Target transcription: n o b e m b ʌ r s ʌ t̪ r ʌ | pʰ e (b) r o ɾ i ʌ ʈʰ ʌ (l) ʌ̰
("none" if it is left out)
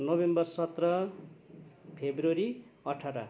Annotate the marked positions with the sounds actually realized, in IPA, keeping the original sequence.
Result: b, ɾ

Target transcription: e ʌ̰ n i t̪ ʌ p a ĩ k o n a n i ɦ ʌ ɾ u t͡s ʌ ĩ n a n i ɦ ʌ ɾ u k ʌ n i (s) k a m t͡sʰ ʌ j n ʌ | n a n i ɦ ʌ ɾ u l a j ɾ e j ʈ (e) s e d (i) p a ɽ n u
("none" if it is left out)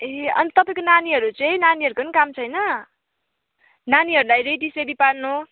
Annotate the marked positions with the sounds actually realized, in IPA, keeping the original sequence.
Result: none, i, i

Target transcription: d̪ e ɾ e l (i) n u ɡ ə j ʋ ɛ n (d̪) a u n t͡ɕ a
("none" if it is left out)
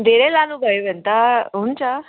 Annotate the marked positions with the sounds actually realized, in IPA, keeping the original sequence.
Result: a, t̪

